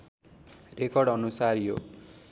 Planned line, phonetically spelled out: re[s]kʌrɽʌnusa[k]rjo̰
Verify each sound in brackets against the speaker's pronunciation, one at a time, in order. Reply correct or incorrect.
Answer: incorrect: none, incorrect: none

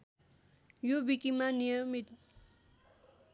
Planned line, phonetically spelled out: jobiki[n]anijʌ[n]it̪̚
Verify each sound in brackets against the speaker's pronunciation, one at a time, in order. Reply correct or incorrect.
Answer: incorrect: m, incorrect: m

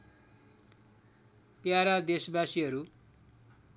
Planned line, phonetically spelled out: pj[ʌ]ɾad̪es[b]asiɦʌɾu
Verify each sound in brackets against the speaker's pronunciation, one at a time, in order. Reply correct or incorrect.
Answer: incorrect: a, correct

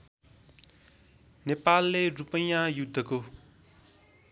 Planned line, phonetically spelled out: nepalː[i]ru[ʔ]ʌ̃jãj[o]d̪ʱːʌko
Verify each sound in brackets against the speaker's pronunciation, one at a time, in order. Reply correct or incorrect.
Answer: incorrect: e, incorrect: p, incorrect: u

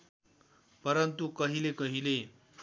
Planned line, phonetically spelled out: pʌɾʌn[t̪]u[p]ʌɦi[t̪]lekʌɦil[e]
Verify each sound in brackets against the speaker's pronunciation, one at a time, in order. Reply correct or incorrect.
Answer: correct, incorrect: k, incorrect: none, correct

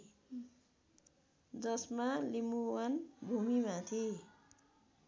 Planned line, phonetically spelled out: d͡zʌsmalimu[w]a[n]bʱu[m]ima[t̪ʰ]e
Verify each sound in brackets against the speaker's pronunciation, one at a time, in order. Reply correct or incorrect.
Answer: correct, correct, correct, correct

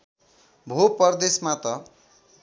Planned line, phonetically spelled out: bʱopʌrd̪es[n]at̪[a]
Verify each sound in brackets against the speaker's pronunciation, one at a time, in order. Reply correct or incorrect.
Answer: incorrect: m, incorrect: ʌ

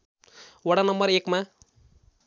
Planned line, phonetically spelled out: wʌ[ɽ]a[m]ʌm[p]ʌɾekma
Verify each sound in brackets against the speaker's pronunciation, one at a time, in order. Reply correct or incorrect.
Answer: correct, incorrect: n, incorrect: b

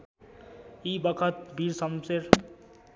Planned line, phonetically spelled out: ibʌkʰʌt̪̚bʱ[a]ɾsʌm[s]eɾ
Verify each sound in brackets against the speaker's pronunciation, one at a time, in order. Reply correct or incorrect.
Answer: incorrect: i, correct

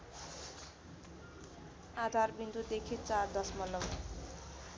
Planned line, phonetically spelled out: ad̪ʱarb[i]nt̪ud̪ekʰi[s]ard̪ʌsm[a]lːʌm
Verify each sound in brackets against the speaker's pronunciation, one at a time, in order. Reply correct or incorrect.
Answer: correct, incorrect: t͡s, incorrect: ʌ

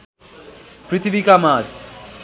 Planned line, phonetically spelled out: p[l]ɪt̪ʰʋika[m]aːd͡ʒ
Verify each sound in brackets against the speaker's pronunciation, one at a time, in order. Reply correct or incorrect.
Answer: incorrect: ɾ, correct

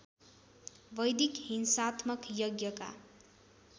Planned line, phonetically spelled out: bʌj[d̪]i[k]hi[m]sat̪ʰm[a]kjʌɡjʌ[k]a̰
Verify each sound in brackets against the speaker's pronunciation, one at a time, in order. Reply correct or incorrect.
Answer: correct, correct, incorrect: n, incorrect: ʌ, correct

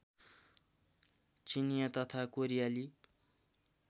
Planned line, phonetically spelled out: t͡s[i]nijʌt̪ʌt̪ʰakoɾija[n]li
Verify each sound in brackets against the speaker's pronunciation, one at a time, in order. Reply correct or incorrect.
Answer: correct, incorrect: none

